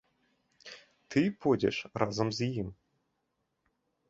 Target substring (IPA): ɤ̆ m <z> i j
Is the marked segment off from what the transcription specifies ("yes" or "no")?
no